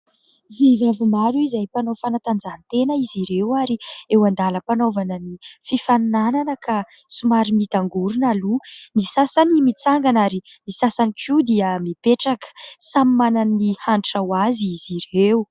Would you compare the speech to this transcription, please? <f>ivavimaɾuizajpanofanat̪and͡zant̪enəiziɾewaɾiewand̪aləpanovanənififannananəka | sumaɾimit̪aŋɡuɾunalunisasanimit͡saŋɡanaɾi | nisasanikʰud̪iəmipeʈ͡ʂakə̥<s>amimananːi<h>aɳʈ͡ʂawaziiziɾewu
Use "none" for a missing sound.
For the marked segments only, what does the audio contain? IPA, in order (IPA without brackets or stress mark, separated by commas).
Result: v, s, h